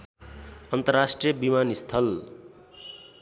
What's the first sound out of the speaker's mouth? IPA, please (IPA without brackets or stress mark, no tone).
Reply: ʌ